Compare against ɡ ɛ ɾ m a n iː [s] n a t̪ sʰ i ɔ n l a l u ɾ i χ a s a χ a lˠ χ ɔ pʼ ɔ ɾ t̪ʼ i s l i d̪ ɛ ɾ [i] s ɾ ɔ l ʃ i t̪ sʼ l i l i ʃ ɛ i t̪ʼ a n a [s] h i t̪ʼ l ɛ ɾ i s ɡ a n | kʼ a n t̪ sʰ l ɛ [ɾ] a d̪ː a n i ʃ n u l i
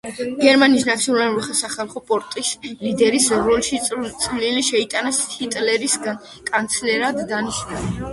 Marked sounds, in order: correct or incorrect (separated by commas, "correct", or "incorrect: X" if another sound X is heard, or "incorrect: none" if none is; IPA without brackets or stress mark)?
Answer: correct, correct, correct, correct